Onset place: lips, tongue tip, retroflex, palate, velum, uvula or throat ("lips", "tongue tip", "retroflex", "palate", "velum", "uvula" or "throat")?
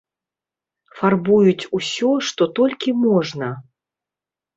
lips